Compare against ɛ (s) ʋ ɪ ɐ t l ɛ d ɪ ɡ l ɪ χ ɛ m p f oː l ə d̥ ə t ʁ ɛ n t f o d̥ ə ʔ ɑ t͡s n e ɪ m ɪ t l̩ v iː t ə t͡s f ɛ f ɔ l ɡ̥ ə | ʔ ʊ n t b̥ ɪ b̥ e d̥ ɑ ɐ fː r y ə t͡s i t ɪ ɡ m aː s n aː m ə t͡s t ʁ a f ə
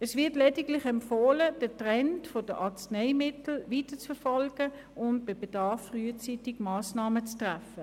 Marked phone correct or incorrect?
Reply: correct